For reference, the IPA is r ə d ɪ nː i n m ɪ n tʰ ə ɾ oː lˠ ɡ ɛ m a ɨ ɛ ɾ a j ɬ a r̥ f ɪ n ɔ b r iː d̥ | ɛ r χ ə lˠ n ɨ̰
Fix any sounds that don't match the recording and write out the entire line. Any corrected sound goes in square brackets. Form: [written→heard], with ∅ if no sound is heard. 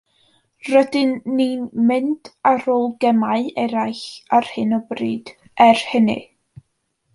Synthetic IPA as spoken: r ə d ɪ nː i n m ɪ n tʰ [ə→a] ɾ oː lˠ ɡ ɛ m a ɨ ɛ ɾ a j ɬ a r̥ [f→h] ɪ n ɔ b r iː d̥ | ɛ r [χ→h] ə [lˠ→∅] n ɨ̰